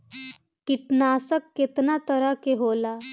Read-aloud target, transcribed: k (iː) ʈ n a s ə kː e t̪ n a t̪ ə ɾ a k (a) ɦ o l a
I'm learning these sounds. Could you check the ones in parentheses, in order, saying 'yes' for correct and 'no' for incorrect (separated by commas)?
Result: no, no